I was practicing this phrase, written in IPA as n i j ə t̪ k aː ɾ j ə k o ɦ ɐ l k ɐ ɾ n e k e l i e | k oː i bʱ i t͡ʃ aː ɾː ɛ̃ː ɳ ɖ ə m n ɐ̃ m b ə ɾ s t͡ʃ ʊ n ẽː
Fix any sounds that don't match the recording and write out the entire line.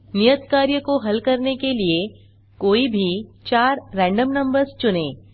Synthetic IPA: n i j ə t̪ k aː ɾ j ə k o ɦ ɐ l k ɐ ɾ n e k e l i e | k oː i bʱ i t͡ʃ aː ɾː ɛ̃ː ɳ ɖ ə m n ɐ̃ m b ə ɾ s t͡ʃ ʊ n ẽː